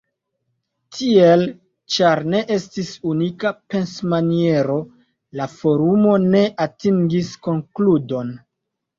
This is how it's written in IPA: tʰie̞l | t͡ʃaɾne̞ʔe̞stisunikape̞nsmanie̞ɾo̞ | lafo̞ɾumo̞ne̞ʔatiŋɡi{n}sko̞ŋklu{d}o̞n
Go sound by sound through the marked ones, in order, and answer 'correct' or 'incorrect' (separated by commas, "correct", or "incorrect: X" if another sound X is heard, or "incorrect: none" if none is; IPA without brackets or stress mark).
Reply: incorrect: none, correct